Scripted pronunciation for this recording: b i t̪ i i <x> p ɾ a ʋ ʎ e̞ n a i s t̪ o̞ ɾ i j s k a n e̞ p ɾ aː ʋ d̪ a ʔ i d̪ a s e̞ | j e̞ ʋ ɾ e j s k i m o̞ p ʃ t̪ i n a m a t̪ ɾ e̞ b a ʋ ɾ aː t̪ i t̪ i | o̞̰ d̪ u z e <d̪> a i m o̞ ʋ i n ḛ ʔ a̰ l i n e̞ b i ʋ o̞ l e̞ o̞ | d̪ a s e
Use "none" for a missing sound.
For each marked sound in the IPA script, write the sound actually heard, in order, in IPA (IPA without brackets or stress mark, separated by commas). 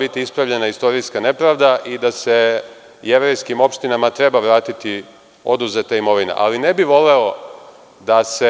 s, t̪